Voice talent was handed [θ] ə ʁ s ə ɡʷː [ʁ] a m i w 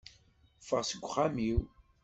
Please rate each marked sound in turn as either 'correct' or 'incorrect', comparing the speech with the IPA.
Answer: incorrect: f, incorrect: χ

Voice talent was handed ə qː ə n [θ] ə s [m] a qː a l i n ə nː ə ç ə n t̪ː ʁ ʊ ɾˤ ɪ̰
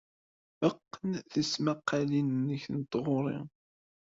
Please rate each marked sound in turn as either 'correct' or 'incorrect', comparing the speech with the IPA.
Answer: correct, correct

